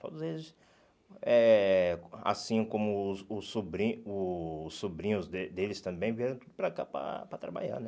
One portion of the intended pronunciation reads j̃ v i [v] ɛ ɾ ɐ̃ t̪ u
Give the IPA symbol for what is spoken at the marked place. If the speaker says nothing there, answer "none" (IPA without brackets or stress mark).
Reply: none